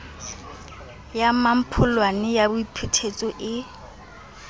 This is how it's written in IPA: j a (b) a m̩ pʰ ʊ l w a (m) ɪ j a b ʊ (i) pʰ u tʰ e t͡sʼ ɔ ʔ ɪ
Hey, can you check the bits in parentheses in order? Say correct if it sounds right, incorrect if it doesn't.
incorrect, incorrect, correct

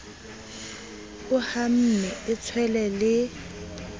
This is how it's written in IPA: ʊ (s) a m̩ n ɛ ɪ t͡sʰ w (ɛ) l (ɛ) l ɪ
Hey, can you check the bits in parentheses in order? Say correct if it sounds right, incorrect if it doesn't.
incorrect, correct, correct

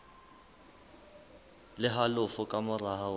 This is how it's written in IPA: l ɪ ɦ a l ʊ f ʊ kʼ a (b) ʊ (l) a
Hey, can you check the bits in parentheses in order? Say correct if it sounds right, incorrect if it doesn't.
incorrect, incorrect

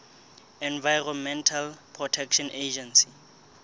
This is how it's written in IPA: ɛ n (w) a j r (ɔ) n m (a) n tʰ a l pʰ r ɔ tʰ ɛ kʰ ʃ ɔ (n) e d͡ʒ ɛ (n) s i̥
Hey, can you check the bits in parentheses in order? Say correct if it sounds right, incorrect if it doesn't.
incorrect, correct, incorrect, correct, correct

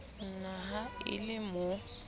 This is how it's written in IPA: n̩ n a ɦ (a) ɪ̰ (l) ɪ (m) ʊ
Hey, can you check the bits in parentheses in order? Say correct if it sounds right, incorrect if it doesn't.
correct, correct, correct

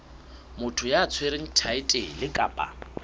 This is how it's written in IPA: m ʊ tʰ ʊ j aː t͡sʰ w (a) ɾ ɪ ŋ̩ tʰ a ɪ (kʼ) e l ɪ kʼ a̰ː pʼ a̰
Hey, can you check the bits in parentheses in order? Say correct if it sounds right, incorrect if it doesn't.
incorrect, incorrect

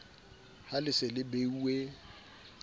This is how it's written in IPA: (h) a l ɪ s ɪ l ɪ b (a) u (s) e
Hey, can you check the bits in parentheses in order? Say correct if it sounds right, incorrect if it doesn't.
correct, incorrect, incorrect

